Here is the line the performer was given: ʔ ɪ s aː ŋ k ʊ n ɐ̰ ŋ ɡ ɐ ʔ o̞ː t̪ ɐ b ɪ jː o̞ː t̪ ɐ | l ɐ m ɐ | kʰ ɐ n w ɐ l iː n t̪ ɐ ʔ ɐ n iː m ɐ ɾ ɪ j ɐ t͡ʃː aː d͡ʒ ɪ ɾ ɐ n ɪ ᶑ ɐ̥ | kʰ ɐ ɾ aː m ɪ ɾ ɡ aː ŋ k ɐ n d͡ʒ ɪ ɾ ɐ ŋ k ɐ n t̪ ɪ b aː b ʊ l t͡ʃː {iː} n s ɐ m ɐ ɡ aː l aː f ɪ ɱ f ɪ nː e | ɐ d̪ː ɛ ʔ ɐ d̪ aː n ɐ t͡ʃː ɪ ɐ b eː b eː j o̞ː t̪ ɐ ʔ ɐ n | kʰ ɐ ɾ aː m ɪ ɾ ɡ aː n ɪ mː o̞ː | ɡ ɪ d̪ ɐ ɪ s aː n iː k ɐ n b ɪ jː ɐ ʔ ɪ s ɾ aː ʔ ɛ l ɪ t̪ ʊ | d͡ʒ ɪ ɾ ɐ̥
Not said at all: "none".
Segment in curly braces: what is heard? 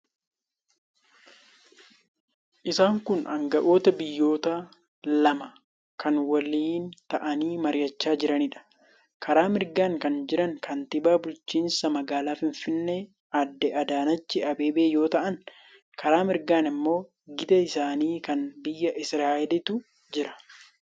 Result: iː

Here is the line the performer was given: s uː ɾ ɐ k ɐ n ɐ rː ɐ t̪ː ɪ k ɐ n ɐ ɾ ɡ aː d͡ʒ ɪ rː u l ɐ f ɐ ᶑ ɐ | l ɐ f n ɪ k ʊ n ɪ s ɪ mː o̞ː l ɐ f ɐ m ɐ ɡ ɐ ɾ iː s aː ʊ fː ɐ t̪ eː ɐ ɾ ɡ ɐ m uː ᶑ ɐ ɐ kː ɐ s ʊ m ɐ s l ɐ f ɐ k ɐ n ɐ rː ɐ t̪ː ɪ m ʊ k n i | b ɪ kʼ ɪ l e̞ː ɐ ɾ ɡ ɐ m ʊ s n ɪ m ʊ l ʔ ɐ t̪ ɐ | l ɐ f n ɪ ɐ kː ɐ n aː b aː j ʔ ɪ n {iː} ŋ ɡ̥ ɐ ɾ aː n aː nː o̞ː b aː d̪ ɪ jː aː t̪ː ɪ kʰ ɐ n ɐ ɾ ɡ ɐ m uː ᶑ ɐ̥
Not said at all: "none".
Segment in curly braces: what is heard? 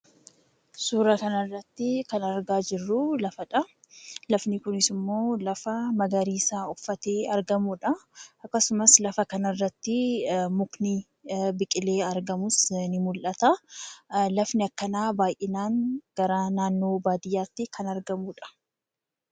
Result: aː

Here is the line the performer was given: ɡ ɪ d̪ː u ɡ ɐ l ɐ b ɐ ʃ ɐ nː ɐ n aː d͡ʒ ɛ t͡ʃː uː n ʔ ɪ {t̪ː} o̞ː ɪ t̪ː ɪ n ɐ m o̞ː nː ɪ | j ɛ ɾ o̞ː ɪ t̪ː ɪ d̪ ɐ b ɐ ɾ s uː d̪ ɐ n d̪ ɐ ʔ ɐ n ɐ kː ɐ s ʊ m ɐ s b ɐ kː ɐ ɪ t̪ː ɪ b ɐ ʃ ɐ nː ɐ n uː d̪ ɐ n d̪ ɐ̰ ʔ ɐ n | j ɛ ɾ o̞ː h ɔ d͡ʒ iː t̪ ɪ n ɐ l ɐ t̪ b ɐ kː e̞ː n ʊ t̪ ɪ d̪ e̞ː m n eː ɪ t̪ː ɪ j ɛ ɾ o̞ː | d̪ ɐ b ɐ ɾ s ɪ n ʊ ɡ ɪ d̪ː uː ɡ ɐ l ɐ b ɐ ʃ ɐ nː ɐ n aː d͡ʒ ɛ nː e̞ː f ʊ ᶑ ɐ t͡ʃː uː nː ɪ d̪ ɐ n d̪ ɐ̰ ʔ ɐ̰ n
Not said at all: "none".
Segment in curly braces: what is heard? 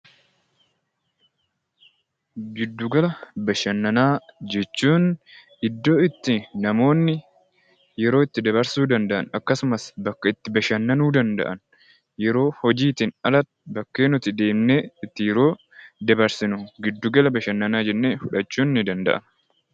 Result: d̪ː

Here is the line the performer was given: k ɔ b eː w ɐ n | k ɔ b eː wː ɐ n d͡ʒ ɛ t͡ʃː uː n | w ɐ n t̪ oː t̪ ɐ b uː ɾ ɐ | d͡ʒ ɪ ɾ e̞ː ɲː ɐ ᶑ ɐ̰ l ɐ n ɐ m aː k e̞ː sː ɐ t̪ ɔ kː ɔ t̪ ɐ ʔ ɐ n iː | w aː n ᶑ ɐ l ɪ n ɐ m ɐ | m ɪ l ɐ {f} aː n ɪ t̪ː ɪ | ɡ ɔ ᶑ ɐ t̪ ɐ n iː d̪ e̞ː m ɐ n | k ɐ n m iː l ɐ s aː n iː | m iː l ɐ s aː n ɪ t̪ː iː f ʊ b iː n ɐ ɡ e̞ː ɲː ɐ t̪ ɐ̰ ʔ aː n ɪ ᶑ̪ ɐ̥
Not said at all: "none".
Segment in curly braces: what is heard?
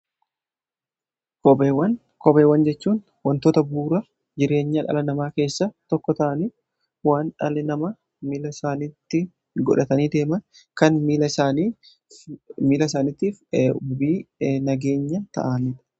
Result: s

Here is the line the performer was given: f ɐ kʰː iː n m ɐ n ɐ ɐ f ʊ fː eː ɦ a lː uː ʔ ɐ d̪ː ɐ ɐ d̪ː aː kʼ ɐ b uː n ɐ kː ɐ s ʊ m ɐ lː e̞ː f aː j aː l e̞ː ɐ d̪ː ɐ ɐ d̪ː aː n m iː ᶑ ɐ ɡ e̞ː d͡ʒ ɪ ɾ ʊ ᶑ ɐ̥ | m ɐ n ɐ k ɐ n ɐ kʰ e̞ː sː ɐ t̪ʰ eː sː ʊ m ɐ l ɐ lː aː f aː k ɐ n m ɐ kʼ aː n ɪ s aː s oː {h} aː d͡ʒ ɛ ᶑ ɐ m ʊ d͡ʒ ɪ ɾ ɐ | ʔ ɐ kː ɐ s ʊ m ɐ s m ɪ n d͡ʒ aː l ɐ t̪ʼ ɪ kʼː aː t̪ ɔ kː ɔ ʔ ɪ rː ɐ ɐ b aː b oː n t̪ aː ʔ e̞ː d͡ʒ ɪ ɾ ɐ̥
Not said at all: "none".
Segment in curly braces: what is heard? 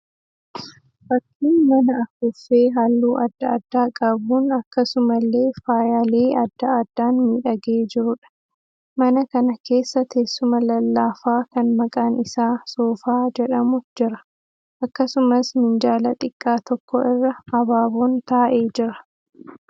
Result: f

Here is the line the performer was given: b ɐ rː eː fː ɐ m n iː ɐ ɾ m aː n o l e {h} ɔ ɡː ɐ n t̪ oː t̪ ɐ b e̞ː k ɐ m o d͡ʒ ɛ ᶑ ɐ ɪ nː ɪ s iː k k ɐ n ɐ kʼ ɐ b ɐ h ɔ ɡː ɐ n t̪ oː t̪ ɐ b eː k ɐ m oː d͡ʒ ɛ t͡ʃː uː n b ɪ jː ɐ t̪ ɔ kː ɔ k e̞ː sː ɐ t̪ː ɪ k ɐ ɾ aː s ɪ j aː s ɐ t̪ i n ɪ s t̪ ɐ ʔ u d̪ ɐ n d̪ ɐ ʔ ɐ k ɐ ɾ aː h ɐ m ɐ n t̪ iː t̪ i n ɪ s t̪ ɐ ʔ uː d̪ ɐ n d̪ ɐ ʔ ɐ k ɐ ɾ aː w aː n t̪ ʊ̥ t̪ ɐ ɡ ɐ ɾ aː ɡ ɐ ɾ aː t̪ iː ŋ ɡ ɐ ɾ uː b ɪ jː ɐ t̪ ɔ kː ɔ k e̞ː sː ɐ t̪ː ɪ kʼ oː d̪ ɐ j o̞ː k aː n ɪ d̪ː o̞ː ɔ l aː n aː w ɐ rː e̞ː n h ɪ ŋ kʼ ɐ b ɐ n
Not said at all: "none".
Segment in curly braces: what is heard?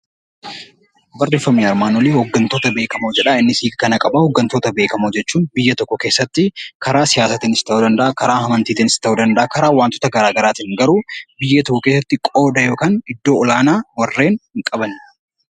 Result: h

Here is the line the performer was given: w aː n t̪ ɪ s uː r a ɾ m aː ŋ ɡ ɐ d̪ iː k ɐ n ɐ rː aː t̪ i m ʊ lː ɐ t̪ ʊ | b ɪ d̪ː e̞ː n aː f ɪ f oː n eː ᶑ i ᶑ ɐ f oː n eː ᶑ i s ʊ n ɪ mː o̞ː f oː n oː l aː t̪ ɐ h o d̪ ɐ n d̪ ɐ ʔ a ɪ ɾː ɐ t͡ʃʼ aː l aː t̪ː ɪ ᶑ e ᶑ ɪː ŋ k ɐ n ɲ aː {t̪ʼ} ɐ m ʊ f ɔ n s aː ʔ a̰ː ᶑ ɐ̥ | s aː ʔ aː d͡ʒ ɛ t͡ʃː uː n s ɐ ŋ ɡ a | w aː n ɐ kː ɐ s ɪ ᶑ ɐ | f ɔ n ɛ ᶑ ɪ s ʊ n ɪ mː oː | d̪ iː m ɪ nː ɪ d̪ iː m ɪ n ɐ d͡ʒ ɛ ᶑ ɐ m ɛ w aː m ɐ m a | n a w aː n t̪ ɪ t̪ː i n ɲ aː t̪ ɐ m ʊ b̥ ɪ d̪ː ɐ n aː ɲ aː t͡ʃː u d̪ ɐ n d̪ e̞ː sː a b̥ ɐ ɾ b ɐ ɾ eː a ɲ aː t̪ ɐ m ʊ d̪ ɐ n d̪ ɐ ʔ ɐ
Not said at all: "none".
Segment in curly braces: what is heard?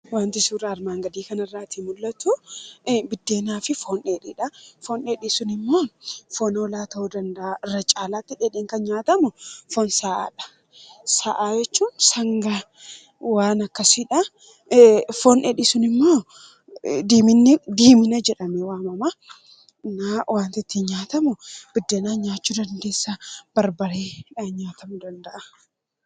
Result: t̪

